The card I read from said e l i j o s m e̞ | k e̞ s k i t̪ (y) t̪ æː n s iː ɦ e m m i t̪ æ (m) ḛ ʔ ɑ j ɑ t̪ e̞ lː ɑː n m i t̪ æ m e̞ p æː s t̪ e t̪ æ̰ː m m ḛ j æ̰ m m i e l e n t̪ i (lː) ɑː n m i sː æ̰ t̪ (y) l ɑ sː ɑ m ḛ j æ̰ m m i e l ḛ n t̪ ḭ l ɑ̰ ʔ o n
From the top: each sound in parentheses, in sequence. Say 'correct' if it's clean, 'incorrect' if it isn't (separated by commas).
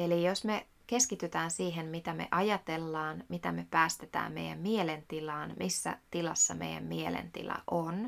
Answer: correct, correct, incorrect, incorrect